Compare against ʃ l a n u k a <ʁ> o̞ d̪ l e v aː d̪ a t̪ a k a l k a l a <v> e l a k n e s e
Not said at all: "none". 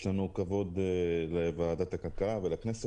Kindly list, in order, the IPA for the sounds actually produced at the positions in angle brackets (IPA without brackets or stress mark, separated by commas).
v, v